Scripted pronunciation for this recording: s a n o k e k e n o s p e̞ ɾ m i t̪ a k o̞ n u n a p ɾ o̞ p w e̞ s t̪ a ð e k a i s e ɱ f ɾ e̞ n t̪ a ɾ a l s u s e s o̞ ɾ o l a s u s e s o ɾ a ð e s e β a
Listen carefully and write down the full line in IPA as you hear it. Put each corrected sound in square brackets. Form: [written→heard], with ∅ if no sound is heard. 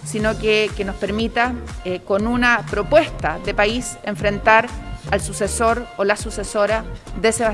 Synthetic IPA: s [a→i] n o k e k e n o s p e̞ ɾ m i t̪ a k o̞ n u n a p ɾ o̞ p w e̞ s t̪ a ð e [k→p] a i s e ɱ f ɾ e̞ n t̪ a ɾ a l s u s e s o̞ ɾ o l a s u s e s o ɾ a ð e s e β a